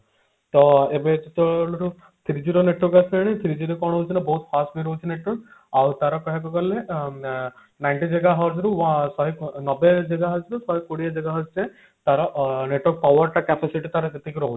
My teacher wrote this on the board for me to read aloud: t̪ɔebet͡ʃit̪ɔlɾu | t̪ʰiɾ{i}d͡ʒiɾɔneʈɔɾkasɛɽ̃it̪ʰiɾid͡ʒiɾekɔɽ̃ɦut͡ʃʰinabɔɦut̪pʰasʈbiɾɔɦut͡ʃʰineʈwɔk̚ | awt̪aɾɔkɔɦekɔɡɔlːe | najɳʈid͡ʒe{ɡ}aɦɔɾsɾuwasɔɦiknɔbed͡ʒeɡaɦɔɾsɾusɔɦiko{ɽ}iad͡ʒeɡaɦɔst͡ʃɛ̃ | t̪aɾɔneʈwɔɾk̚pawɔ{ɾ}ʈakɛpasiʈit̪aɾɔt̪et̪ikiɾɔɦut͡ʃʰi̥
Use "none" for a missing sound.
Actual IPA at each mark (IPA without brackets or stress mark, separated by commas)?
i, ɡ, ɽ, ɾ